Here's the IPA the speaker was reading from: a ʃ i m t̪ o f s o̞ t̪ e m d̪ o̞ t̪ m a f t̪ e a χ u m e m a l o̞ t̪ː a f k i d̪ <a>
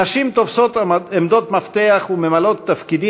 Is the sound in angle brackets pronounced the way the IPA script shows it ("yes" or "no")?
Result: no